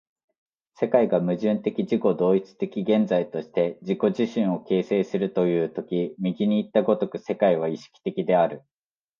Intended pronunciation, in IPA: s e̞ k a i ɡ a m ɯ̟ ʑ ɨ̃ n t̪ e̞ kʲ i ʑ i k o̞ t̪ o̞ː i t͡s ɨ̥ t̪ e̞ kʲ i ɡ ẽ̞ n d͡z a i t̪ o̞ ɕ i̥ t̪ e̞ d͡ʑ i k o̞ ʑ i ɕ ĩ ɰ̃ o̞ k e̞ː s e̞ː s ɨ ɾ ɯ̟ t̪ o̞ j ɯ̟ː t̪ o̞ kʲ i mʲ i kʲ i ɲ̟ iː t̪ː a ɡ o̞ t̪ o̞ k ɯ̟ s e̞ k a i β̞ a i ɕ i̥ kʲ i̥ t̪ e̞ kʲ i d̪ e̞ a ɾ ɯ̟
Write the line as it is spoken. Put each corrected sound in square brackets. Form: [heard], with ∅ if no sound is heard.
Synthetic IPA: s e̞ k a i ɡ a m ɯ̟ ʑ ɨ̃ n t̪ e̞ kʲ i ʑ i k o̞ [d̪] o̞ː i t͡s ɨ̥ t̪ e̞ kʲ i ɡ ẽ̞ n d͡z a i t̪ o̞ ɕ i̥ t̪ e̞ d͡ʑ i k o̞ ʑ i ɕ ĩ ɰ̃ o̞ k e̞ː s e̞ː s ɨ ɾ ɯ̟ t̪ o̞ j ɯ̟ː t̪ o̞ kʲ i mʲ i [ɡʲ] i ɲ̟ iː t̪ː a ɡ o̞ t̪ o̞ k ɯ̟ s e̞ k a i β̞ a i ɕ i̥ kʲ i̥ t̪ e̞ kʲ i d̪ e̞ a ɾ ɯ̟